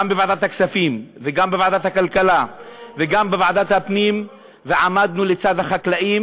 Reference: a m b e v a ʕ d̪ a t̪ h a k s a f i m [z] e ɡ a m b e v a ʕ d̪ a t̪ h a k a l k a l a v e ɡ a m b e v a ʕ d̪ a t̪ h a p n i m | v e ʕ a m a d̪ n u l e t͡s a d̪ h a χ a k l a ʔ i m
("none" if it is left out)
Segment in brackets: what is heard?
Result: v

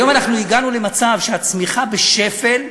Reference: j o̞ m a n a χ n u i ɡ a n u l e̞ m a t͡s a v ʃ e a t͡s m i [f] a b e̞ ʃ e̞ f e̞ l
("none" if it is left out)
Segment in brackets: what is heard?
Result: χ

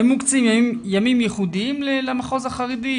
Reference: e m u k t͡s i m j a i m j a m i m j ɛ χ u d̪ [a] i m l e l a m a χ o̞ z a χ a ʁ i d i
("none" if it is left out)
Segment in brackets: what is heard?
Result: i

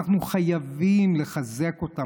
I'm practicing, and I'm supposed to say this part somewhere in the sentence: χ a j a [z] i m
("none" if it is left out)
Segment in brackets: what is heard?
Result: v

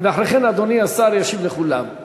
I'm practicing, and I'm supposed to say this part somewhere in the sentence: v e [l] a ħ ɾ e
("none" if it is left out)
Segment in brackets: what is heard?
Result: none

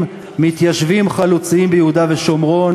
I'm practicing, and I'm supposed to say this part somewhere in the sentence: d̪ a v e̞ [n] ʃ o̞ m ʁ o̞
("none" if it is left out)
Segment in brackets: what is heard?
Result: none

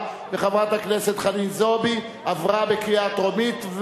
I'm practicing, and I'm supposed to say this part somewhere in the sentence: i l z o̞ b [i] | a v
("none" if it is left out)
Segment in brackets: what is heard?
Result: i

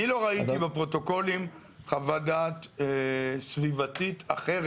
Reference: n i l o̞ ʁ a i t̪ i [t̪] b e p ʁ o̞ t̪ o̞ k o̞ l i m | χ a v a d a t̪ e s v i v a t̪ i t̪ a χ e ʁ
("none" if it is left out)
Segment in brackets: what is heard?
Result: none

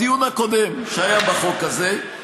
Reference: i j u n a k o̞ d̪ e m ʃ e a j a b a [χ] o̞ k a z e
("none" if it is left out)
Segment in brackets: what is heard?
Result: χ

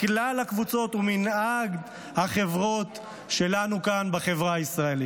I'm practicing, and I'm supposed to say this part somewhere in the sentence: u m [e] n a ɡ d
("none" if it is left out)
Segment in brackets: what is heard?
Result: i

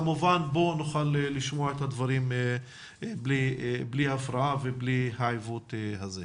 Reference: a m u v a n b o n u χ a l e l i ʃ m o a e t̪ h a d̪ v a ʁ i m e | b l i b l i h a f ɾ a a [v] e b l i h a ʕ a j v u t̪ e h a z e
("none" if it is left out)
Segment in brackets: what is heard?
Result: v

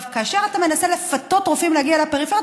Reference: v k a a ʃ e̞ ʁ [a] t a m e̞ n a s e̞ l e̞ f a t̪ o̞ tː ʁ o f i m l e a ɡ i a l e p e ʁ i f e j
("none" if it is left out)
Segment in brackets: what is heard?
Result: a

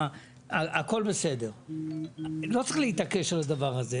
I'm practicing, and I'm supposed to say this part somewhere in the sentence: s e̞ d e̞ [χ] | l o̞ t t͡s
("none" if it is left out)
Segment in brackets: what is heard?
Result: ʁ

